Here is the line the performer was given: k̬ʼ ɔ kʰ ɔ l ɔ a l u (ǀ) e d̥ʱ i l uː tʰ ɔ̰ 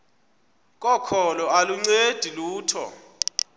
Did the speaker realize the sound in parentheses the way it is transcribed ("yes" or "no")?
no